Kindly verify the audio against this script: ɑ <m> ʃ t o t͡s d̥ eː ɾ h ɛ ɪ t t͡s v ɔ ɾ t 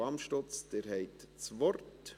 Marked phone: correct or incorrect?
correct